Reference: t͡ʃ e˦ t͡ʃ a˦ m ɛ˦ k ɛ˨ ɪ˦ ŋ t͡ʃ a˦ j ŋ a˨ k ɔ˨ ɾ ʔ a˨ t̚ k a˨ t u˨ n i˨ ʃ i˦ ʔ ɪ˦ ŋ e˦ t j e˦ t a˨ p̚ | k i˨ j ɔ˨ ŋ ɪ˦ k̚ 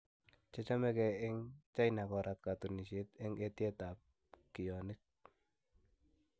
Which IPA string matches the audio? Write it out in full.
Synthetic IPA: t͡ʃ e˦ t͡ʃ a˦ m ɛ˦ k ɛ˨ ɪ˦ ŋ t͡ʃ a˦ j n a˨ k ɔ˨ ɾ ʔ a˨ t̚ k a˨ t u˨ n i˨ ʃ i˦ t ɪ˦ ŋ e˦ t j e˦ t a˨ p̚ | k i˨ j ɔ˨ n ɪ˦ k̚